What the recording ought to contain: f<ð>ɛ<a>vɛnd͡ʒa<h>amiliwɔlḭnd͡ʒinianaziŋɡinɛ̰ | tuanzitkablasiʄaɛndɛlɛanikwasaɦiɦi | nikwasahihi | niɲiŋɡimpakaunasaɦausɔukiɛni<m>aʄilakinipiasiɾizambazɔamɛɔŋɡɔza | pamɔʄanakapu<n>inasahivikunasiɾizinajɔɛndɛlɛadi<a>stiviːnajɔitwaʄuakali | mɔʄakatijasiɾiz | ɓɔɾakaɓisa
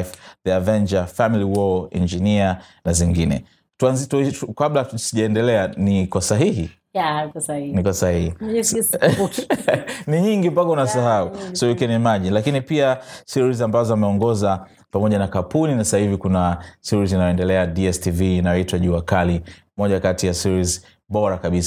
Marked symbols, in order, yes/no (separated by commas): yes, yes, no, yes, yes, no